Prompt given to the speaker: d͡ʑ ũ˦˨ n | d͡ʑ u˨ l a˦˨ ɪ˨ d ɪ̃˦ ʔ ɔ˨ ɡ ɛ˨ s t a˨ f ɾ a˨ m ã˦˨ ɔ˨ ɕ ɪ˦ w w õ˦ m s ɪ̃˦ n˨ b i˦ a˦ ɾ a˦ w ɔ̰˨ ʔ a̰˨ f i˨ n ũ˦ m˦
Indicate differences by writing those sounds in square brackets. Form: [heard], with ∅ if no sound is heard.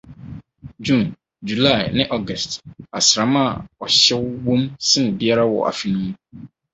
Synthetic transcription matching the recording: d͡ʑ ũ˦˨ n | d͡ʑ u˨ l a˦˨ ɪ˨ [n] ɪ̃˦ ʔ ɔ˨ ɡ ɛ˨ s t a˨ [s] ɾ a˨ m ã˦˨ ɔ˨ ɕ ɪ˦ w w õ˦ m s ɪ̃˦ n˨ b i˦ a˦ ɾ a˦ w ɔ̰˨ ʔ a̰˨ f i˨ n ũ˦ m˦